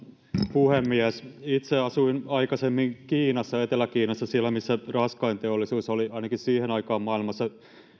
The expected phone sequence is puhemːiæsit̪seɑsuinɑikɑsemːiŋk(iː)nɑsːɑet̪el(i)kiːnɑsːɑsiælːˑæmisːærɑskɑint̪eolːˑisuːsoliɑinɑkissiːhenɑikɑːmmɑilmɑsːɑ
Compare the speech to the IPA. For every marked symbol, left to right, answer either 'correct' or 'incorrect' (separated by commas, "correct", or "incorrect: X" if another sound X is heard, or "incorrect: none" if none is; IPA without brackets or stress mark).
correct, incorrect: æ